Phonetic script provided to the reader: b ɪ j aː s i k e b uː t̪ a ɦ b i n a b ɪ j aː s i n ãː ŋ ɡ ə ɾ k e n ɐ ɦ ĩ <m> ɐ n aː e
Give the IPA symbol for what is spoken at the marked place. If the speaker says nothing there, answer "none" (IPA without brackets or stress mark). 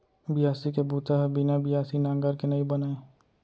b